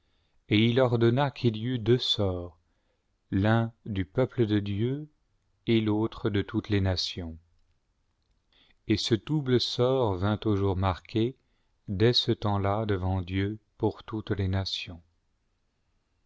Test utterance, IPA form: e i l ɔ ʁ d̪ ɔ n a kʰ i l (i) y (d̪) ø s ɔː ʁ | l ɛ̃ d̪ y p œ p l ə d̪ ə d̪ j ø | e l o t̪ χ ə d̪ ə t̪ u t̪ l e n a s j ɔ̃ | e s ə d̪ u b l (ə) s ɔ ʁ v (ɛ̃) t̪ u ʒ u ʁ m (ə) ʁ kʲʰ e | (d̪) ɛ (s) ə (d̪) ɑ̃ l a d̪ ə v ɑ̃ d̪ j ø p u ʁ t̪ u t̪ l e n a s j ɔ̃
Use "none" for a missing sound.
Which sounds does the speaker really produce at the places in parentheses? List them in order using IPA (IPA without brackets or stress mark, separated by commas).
i, d̪, ə, ɛ̃, a, d̪, s, t̪